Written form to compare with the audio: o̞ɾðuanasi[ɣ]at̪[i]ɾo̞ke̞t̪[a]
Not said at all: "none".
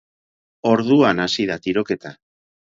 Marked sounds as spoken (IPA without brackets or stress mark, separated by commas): ð, i, a